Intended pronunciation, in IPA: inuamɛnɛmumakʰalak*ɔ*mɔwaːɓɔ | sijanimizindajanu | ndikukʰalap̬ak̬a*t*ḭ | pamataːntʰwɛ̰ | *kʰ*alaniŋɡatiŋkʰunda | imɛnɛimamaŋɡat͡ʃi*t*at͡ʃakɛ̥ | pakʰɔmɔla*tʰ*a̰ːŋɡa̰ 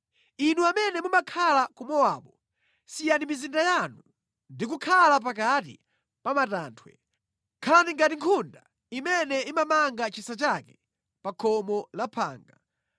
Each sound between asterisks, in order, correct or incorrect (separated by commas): incorrect, correct, correct, incorrect, incorrect